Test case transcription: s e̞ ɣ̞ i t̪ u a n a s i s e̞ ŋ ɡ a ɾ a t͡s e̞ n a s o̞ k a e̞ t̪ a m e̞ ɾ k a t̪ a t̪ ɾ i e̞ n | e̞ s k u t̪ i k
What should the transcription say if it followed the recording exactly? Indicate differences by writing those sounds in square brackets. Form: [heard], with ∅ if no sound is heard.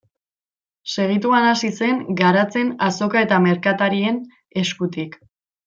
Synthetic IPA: s e̞ ɣ̞ i t̪ u a n a s i s e̞ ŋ ɡ a ɾ a t͡s e̞ n a s o̞ k a e̞ t̪ a m e̞ ɾ k a t̪ a [∅] ɾ i e̞ n | e̞ s k u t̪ i k